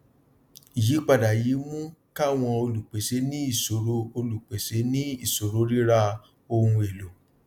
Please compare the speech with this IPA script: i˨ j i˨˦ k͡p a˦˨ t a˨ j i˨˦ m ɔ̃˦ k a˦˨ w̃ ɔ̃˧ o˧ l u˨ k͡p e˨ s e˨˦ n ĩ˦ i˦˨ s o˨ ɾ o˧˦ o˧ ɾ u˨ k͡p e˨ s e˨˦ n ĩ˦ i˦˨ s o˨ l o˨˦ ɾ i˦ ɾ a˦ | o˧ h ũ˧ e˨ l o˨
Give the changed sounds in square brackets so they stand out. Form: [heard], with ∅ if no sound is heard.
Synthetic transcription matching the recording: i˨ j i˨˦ k͡p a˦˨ [d] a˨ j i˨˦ m [ũ˦] k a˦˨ w̃ ɔ̃˧ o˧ l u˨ k͡p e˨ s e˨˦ n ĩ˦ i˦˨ s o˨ ɾ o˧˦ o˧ [l] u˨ k͡p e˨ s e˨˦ n ĩ˦ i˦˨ s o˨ [ɾ] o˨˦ ɾ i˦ ɾ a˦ | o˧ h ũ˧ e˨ l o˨